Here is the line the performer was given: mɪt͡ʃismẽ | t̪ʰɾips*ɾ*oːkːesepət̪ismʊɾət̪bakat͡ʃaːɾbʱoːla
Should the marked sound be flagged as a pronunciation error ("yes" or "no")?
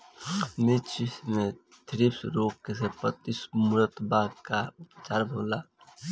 no